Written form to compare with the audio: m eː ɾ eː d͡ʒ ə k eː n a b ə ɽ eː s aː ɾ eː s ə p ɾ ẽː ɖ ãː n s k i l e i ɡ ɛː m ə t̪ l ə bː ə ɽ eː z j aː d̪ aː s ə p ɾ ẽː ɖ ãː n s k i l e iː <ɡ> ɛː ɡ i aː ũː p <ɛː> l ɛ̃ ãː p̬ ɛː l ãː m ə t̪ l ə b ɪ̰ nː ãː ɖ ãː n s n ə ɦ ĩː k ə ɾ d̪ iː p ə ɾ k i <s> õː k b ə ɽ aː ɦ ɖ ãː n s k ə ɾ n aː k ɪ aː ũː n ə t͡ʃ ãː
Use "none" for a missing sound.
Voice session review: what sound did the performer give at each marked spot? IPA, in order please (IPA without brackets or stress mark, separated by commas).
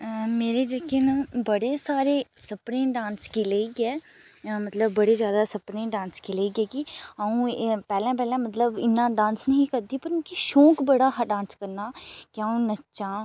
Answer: ɡ, ɛː, ʃ